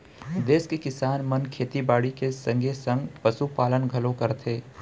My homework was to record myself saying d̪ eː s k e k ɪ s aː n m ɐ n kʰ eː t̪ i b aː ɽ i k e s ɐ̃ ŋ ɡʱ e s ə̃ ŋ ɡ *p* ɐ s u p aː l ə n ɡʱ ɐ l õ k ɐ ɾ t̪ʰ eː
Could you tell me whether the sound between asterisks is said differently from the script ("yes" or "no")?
no